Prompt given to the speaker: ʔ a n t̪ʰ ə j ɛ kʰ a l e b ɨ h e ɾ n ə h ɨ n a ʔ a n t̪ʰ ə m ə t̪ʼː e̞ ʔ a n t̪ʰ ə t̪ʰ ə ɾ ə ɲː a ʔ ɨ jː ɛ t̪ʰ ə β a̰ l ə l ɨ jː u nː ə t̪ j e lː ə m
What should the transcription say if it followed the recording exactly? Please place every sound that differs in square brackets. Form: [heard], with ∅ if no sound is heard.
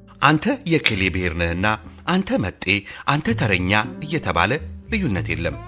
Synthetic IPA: ʔ a n t̪ʰ ə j ɛ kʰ [e] l e b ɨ h e ɾ n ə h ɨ [nː] a ʔ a n t̪ʰ ə m ə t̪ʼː e̞ ʔ a n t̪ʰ ə t̪ʰ ə ɾ ə ɲː a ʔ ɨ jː ɛ t̪ʰ ə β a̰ l ə l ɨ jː u nː ə t̪ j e lː ə m